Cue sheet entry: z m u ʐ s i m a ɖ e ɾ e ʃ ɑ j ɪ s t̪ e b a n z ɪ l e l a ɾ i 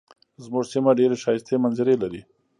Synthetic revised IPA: z m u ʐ s i m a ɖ e ɾ e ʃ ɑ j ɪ s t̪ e m a n z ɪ ɾ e l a ɾ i